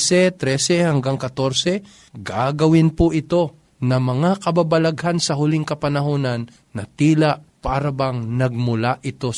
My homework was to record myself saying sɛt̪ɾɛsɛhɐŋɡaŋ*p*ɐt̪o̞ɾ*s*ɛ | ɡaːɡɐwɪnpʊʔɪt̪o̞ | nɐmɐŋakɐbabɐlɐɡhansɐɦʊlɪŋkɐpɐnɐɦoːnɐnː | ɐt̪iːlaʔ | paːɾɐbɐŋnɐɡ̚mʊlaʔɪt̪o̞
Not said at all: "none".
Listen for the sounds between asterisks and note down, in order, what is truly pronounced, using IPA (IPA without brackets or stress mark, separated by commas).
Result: k, s